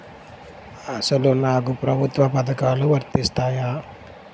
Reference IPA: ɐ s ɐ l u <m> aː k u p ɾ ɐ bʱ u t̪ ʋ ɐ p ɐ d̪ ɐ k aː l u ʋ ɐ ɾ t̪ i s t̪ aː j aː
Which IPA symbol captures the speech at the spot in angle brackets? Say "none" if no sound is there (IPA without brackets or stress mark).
n